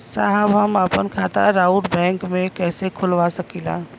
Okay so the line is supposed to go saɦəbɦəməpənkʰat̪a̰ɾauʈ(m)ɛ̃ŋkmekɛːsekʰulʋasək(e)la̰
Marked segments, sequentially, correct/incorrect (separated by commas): incorrect, incorrect